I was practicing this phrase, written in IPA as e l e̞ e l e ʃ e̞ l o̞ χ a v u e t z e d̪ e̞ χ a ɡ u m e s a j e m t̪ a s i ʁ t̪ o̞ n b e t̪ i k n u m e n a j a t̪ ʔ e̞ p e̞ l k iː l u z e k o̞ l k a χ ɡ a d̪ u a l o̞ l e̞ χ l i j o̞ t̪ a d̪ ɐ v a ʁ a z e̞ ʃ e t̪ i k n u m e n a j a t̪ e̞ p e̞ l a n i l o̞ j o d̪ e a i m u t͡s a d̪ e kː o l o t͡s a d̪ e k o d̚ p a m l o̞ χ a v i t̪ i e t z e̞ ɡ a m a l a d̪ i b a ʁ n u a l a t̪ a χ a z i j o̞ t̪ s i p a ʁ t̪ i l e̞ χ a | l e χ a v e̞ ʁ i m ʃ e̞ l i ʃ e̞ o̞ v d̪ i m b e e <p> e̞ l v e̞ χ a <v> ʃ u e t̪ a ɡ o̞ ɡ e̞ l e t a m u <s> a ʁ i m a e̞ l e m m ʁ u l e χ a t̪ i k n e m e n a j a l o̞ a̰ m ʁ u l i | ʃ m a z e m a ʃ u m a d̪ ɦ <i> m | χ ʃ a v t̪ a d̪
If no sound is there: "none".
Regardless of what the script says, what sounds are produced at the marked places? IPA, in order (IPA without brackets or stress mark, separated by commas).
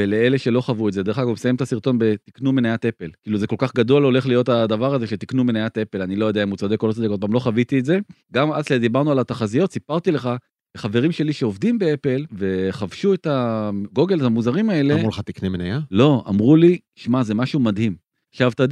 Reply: p, v, z, i